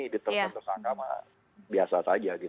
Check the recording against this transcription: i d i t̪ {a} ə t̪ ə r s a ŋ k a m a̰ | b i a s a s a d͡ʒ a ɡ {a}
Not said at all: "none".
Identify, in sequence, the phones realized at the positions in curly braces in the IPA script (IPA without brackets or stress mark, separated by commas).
ə, i